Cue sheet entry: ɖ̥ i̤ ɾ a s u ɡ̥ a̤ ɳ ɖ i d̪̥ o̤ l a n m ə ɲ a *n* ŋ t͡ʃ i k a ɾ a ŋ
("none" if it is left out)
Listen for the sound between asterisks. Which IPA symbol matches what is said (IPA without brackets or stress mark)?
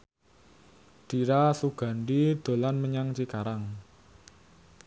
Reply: none